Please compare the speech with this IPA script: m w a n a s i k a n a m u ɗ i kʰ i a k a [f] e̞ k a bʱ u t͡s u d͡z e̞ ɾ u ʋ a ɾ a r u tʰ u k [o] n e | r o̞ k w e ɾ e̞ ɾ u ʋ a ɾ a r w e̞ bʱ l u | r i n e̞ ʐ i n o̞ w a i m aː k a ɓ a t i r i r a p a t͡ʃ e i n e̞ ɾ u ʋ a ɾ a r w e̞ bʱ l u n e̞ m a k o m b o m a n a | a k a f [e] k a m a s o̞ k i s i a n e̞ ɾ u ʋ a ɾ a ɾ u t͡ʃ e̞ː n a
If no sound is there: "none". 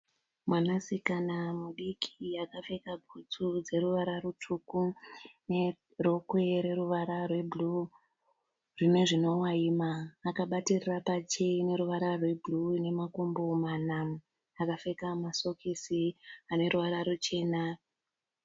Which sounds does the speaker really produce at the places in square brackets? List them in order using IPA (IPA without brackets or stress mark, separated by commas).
f, u, e